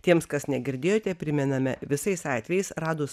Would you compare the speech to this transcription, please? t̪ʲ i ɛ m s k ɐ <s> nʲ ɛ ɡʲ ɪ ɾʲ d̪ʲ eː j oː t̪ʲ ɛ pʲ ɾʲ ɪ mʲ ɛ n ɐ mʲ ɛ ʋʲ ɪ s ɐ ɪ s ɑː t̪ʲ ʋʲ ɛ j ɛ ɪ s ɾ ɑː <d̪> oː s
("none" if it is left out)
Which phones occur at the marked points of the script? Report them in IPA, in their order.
s, d̪

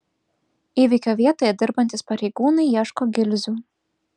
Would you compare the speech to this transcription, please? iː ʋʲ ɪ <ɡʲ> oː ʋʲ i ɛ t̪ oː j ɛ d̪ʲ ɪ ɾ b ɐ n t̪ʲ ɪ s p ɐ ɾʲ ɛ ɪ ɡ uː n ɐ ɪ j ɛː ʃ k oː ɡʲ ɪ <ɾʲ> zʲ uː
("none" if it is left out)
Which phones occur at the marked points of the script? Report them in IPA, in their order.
kʲ, lʲ

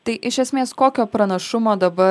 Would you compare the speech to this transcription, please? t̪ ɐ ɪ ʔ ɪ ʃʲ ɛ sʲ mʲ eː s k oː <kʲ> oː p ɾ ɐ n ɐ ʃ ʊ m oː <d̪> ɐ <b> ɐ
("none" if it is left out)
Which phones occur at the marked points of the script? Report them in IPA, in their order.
kʲ, d̪, b

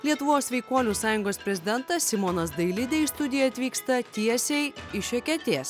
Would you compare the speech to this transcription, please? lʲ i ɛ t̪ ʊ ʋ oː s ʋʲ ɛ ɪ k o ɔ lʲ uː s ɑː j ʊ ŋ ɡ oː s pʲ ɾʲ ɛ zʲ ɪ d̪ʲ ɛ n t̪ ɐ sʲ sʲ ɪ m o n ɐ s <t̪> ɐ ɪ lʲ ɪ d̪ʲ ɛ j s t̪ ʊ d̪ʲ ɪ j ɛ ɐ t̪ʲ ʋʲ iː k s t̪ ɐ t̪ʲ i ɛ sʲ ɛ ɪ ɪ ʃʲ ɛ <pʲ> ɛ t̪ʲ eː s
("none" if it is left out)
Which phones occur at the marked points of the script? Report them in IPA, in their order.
d̪, kʲ

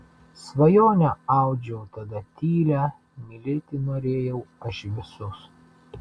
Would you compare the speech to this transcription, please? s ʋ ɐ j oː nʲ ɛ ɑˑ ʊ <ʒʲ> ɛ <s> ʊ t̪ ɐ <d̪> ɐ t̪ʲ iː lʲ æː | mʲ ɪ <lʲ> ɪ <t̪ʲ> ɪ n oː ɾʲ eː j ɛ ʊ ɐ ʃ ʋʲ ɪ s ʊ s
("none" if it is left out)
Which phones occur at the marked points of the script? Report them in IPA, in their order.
d͡ʒʲ, none, d̪, lʲ, t̪ʲ

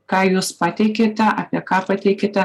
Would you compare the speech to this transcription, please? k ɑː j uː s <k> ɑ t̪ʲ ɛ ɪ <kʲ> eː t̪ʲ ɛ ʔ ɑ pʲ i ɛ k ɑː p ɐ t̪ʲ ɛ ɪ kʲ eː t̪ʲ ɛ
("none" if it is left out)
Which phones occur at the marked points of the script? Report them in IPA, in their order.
p, kʲ

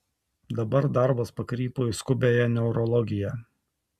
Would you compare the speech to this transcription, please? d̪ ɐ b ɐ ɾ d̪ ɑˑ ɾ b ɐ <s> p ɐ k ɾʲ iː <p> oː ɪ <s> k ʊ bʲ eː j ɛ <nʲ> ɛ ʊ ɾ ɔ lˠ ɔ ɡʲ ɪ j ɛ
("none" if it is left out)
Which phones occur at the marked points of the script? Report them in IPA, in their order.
s, p, s, nʲ

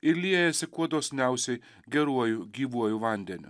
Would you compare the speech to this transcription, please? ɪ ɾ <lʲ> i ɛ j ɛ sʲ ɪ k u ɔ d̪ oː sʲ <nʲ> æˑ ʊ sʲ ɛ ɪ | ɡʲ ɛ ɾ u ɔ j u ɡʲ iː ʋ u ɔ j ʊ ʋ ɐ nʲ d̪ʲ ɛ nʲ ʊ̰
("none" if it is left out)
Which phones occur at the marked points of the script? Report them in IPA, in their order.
lʲ, nʲ

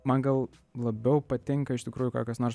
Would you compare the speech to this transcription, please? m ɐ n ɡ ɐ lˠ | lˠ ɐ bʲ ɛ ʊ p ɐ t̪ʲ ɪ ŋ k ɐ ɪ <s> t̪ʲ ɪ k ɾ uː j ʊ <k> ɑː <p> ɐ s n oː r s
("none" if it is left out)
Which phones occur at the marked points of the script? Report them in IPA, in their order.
ʃ, k, k

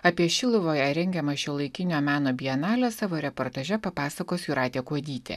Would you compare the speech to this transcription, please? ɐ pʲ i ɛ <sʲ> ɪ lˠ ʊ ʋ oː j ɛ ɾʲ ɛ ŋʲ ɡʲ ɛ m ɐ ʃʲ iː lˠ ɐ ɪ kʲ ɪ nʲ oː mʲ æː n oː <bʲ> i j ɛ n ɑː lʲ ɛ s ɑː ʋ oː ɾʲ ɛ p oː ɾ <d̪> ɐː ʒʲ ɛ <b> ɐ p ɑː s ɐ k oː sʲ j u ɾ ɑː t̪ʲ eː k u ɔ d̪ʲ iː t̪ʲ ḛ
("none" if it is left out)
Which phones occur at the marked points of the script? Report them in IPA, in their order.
ʃʲ, bʲ, t̪, p

